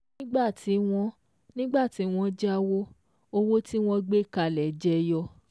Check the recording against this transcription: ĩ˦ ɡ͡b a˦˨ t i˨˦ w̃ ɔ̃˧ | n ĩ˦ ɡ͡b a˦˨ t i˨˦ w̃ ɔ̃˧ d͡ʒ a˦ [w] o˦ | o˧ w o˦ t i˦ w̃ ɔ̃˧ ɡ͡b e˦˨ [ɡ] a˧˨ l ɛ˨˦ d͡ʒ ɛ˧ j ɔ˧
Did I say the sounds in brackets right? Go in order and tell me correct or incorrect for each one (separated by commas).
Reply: correct, incorrect